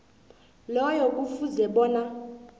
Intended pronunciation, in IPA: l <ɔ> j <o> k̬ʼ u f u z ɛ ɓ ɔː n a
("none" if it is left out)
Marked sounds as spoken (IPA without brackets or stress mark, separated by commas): ɔ, ɔ